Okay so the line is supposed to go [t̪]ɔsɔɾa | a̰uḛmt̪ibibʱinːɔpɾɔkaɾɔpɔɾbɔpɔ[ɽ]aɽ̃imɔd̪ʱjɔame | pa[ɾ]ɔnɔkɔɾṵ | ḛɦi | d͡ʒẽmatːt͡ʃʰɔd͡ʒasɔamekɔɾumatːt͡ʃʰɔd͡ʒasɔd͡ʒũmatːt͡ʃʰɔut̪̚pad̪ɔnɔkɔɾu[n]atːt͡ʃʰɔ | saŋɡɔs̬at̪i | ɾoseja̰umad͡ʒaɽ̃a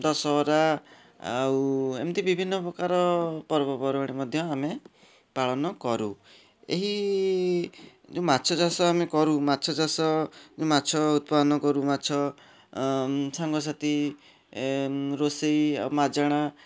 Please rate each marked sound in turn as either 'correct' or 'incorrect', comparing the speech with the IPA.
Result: incorrect: d̪, incorrect: ɾ, incorrect: ɭ, incorrect: m

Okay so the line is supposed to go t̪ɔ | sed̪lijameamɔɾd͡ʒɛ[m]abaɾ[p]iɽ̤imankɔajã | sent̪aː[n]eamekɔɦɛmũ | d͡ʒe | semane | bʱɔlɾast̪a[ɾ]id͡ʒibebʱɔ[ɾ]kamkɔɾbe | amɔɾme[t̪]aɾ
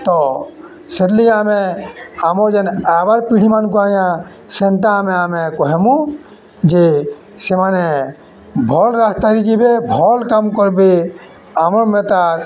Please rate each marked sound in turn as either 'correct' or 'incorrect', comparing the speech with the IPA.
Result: incorrect: n, correct, incorrect: m, correct, incorrect: l, correct

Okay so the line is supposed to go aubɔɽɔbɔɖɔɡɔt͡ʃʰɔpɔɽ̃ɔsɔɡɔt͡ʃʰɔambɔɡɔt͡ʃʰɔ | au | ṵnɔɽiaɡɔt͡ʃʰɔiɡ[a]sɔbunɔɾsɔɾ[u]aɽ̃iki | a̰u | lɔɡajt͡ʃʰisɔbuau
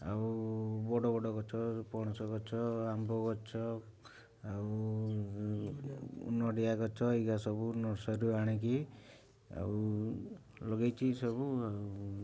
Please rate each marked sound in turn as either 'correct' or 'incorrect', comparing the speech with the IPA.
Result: correct, correct

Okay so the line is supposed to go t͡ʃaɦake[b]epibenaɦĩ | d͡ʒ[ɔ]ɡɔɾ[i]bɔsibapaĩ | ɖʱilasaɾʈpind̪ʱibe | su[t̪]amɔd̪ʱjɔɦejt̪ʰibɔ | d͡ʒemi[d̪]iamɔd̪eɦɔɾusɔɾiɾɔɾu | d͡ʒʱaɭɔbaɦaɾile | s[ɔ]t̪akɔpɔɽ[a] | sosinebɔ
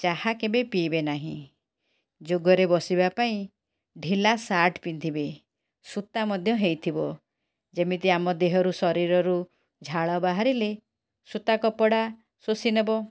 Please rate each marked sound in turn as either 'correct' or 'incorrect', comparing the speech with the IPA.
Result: correct, incorrect: o, incorrect: e, correct, incorrect: t̪, incorrect: u, correct

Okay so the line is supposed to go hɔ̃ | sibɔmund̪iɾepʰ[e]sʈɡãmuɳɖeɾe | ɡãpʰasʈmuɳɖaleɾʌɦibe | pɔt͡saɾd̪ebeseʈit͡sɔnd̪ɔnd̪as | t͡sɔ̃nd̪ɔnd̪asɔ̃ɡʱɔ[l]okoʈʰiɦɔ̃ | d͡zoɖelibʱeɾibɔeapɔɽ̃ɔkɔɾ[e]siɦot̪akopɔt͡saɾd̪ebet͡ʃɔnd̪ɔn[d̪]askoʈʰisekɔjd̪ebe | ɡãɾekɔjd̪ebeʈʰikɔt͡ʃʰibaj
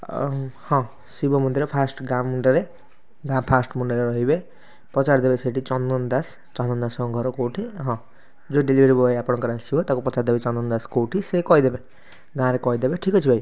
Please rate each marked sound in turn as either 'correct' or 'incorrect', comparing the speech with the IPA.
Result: incorrect: a, incorrect: ɾ, incorrect: a, correct

